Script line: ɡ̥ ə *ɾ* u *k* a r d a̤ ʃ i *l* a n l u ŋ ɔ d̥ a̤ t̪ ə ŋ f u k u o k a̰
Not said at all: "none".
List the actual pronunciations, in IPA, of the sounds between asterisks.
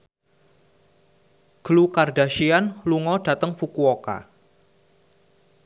l, k, none

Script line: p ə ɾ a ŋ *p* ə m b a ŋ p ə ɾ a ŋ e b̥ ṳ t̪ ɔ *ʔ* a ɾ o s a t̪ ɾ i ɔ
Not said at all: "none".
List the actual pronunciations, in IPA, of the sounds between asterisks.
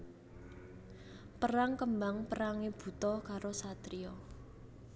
k, k

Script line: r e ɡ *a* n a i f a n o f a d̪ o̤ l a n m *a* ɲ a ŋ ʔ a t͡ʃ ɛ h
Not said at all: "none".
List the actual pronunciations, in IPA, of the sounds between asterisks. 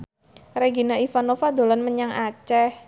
i, ə

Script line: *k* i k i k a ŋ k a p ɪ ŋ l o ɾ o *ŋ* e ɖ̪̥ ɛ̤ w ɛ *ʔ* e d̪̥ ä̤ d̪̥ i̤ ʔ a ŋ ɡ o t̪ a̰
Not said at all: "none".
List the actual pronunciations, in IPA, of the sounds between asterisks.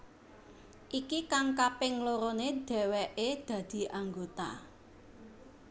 ʔ, n, ʔ

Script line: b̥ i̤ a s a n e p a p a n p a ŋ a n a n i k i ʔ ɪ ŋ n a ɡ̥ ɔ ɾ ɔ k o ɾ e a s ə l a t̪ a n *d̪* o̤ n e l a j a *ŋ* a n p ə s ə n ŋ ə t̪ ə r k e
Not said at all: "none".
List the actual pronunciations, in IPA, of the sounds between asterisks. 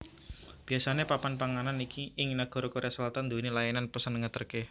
d̪, n

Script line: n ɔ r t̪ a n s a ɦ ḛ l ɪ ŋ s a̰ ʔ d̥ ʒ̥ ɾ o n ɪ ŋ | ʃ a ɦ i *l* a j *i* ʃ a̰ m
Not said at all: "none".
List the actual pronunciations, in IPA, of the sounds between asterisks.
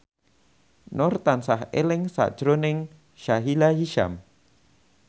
l, i

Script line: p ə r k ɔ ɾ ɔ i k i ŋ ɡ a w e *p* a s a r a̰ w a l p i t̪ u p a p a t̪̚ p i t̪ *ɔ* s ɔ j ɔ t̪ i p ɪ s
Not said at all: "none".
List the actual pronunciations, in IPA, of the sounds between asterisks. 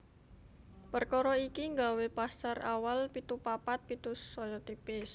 p, u

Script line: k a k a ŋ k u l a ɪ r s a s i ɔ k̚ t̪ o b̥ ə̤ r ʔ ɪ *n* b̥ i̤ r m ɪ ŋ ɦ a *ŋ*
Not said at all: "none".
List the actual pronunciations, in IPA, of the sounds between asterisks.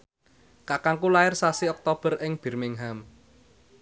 ŋ, m

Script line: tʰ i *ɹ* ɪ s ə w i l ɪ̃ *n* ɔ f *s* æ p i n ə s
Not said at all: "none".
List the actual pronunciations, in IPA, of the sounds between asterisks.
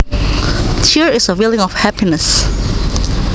ɹ, ŋ, h

